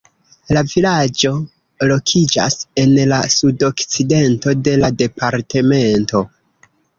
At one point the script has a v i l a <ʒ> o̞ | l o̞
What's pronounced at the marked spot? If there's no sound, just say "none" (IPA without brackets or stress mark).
d͡ʒ